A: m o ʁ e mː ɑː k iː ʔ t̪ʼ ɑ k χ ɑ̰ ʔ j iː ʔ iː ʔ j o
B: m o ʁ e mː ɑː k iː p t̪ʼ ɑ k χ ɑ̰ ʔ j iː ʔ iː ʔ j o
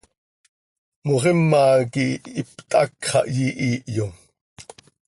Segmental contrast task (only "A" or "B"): B